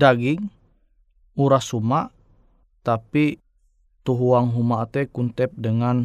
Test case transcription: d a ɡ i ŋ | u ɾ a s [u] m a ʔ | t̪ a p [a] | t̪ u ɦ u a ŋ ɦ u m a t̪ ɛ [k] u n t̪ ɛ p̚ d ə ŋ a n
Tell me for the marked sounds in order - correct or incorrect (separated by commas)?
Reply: correct, incorrect, correct